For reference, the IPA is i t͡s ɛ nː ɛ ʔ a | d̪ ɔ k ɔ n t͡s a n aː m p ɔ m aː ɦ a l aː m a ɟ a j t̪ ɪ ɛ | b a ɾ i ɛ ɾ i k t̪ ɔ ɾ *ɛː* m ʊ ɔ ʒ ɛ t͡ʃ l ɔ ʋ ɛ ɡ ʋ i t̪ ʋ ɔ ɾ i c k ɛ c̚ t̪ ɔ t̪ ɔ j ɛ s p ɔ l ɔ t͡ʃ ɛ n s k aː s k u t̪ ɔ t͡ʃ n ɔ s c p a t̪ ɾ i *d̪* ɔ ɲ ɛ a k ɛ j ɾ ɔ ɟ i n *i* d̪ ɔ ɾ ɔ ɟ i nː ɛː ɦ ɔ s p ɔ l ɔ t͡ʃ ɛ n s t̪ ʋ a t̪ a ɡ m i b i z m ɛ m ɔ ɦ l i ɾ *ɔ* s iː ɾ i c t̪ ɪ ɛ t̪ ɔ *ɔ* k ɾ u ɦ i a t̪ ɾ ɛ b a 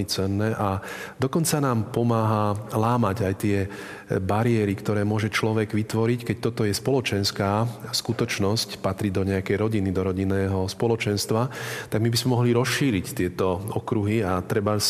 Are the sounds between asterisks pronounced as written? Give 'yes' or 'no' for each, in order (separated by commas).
yes, yes, yes, yes, yes